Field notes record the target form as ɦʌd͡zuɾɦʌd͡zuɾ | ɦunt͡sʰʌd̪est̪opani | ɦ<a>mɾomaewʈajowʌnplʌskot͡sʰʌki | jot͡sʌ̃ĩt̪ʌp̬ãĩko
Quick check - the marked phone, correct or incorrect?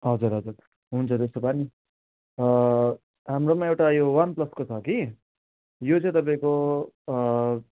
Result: correct